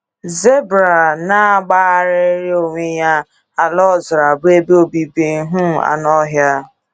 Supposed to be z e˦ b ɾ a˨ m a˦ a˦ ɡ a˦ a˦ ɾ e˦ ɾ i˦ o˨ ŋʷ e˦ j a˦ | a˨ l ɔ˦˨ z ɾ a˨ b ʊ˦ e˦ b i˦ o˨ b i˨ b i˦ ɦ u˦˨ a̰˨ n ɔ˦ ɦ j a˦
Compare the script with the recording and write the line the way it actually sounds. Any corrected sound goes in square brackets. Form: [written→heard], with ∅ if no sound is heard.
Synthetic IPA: z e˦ b ɾ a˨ [m→n] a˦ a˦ [ɡ→ɡ͡b] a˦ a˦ ɾ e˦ ɾ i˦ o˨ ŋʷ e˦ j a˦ | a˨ l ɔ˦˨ z ɾ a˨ b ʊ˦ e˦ b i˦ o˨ b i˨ b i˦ ɦ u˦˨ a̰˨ n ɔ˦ ɦ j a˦